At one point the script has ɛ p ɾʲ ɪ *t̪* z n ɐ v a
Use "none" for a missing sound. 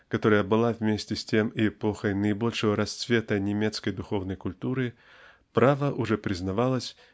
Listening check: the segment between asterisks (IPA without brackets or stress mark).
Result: none